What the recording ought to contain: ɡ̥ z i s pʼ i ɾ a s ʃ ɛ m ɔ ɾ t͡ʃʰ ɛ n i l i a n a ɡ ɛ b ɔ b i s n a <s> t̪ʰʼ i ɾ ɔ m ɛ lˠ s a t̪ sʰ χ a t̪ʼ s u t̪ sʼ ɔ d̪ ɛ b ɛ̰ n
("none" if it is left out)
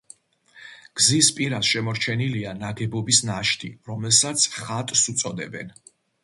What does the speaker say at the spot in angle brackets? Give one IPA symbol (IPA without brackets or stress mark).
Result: ʃ